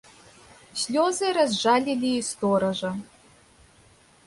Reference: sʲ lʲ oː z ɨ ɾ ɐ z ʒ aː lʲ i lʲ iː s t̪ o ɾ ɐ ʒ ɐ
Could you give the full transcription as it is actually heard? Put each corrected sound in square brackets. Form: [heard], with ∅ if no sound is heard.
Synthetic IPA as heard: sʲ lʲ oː z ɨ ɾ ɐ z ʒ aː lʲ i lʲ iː s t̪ o ɾ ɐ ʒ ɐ

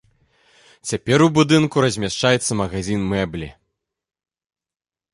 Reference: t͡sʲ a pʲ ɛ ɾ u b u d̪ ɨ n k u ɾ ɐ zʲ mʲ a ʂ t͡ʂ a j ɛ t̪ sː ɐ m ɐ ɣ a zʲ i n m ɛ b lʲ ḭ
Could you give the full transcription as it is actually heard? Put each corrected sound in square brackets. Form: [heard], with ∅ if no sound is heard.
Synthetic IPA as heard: t͡sʲ a pʲ ɛ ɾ u b u d̪ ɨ n k u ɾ ɐ zʲ mʲ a ʂ t͡ʂ a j ɛ t̪ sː ɐ m ɐ ɣ a zʲ i n m ɛ b lʲ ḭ

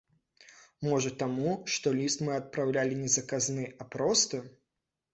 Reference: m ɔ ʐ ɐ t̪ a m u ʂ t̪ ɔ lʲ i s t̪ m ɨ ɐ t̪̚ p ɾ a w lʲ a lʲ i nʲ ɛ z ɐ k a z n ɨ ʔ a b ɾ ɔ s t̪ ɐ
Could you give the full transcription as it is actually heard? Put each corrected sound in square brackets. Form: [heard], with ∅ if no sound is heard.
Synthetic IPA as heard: m ɔ ʐ ɐ t̪ a m u ʂ t̪ ɔ lʲ i s t̪ m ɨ ɐ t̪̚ p ɾ a w lʲ a lʲ i nʲ ɛ z ɐ k a z n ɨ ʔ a [p] ɾ ɔ s t̪ ɐ

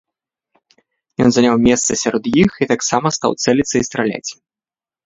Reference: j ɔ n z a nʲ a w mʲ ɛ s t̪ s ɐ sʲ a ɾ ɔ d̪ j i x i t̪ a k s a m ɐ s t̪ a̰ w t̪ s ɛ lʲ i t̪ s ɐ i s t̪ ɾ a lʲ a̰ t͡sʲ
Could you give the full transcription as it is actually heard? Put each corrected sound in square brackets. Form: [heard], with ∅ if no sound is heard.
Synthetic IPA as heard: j ɔ n z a nʲ a w mʲ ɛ s t̪ s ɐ sʲ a ɾ ɔ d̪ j i x i t̪ a k s a m ɐ s t̪ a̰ w t̪ s ɛ lʲ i t̪ s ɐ i s t̪ ɾ a lʲ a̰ t͡sʲ

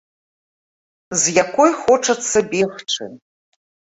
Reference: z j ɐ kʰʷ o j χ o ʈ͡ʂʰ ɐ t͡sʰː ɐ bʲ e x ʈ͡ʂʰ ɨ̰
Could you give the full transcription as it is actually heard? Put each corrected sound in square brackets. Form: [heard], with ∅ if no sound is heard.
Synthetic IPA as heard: z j [a] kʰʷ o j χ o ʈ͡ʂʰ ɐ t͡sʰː ɐ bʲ e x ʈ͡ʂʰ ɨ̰

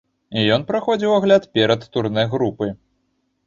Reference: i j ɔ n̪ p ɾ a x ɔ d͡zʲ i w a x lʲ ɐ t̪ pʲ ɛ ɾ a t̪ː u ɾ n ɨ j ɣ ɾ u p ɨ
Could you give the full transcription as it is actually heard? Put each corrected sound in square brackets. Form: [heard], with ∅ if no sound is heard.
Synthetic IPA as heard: i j ɔ n̪ p ɾ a x ɔ d͡zʲ i w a [ɣ] lʲ [a] t̪ pʲ ɛ ɾ [ɐ] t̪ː u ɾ n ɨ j ɣ ɾ u p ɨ

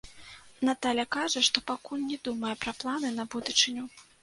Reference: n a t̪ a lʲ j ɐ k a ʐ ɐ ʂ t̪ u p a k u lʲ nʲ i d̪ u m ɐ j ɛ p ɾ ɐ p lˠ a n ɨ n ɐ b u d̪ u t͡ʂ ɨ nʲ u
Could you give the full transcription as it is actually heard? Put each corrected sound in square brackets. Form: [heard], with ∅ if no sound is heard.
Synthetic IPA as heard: n a t̪ a lʲ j ɐ k a ʐ ɐ ʂ t̪ [ɔ] p a k u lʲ nʲ [ɛ] d̪ u m ɐ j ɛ p ɾ ɐ p lˠ a n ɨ n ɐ b u d̪ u t͡ʂ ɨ nʲ u

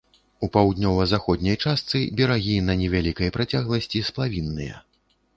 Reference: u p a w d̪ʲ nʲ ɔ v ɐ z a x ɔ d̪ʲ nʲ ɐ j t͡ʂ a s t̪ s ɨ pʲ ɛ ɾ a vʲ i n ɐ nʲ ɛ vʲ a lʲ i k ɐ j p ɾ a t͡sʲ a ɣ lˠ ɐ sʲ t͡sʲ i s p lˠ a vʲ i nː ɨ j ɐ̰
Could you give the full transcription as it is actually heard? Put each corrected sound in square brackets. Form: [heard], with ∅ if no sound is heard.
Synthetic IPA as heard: u p a w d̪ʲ nʲ ɔ v ɐ z a x ɔ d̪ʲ nʲ ɐ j t͡ʂ a s t̪ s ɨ [bʲ] ɛ ɾ a [ɣʲ] i n ɐ nʲ ɛ vʲ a lʲ i k ɐ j p ɾ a t͡sʲ a ɣ lˠ ɐ sʲ t͡sʲ i s p lˠ a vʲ i nː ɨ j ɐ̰

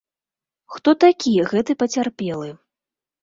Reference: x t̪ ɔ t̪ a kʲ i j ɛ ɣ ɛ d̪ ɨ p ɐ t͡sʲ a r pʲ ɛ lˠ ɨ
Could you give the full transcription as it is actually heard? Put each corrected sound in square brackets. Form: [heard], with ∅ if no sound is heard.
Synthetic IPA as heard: x t̪ ɔ t̪ a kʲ i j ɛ ɣ ɛ [t̪] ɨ p ɐ t͡sʲ a r pʲ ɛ lˠ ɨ

